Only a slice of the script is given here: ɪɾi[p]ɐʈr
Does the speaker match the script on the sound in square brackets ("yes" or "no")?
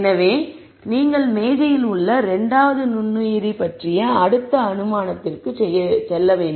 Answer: yes